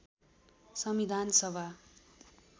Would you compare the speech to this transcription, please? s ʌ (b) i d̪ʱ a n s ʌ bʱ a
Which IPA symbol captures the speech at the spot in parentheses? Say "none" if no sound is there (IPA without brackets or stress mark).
m